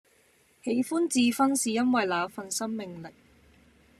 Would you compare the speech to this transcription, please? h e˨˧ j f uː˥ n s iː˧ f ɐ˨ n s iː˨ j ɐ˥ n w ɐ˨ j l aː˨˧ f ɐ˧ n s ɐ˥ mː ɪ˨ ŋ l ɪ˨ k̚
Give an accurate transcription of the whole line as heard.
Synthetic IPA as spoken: h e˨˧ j f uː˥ n t͡s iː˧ f ɐ˥ n s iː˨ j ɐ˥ n w ɐ˨ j l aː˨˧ f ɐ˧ n s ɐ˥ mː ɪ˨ ŋ l ɪ˨ k̚